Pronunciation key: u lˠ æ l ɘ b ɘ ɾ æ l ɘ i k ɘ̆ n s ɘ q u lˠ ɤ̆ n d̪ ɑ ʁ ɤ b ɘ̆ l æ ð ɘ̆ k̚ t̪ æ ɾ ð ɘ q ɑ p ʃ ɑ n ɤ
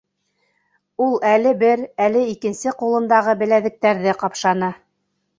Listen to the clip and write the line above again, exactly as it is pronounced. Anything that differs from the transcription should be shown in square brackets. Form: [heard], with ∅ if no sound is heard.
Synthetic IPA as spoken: u lˠ æ l ɘ b ɘ ɾ æ l ɘ i k ɘ̆ n s ɘ q u lˠ ɤ̆ n d̪ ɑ ʁ ɤ b ɘ̆ l æ ð ɘ̆ k̚ t̪ æ ɾ ð ɘ q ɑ p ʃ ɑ n ɤ